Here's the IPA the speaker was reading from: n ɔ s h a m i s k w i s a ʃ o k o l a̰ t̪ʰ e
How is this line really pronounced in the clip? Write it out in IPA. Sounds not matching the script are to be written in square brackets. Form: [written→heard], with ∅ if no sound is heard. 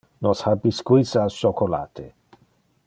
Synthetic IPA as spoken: n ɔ s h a [m→b] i s k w i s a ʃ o k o l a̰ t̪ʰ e